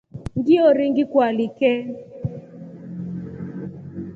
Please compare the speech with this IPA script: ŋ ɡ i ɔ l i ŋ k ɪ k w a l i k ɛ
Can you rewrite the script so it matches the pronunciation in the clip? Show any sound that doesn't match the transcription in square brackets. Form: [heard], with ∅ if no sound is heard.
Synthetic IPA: ŋ ɡ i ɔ [ɾ] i ŋ [ɡ] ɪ k w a l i k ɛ